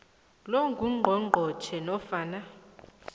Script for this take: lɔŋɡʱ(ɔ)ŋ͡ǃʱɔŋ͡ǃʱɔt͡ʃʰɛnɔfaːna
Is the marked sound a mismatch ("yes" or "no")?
yes